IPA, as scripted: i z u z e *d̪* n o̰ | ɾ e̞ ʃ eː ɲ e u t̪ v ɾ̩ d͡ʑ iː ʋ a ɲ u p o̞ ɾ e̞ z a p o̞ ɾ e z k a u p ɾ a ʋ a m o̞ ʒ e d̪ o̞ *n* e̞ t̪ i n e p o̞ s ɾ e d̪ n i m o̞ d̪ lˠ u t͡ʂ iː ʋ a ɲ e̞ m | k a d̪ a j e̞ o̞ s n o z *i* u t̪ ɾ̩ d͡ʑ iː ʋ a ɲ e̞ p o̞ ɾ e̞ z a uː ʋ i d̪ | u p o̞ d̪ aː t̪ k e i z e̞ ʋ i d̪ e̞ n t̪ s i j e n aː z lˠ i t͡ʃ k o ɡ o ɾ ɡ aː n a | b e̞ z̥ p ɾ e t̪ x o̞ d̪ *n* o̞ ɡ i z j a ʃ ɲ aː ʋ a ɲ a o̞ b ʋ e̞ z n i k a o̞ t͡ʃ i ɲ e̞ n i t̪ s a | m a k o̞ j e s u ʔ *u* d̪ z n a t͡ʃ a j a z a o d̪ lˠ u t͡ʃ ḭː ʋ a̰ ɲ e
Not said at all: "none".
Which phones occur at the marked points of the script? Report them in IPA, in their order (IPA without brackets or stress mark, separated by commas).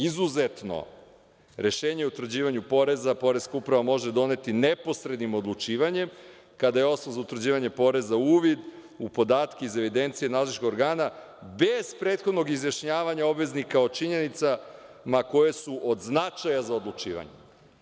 t̪, n, a, n, o